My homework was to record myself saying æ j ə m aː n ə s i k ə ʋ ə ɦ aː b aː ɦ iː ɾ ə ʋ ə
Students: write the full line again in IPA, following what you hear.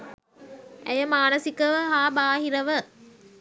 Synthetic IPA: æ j ə m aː n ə s i k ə ʋ ə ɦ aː b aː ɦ i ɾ ə ʋ ə